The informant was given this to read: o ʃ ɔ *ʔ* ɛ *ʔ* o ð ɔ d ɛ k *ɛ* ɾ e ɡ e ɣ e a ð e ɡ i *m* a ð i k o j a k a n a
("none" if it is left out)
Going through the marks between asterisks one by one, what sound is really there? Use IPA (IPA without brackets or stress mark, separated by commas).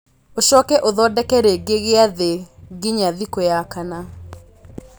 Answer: k, ʔ, ɛ, ɲ